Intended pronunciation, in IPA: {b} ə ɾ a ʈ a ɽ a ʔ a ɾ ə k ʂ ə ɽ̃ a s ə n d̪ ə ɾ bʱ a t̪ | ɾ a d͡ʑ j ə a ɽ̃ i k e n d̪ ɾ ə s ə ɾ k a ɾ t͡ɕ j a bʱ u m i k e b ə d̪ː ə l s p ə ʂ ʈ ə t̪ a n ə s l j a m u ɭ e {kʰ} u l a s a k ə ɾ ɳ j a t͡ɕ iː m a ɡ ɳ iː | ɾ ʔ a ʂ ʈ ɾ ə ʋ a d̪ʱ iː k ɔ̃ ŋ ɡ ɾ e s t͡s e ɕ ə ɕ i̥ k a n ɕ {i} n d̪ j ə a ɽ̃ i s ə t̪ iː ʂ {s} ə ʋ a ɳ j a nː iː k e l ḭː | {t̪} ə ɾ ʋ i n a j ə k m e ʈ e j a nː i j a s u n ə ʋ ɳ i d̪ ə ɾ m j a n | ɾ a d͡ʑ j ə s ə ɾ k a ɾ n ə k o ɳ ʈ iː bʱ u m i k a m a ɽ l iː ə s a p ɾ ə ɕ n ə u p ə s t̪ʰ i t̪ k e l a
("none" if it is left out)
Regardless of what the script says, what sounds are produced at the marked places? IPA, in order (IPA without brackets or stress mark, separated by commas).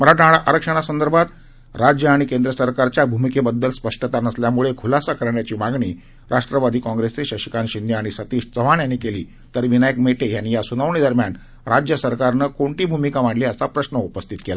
m, kʰ, i, t͡s, t̪